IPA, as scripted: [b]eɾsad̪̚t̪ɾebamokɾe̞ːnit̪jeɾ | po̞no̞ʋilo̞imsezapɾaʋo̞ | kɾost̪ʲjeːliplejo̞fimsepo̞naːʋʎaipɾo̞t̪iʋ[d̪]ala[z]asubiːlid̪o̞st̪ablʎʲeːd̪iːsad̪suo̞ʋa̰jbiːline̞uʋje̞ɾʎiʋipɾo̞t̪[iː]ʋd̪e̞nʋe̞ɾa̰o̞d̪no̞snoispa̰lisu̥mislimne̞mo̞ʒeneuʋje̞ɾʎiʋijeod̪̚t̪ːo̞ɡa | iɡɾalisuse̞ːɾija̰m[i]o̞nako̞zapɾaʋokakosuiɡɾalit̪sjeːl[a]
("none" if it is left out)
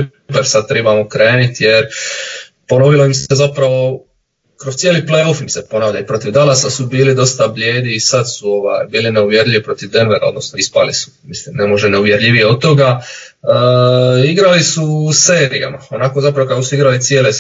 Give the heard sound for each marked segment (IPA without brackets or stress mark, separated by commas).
p, d̪, s, i, a, e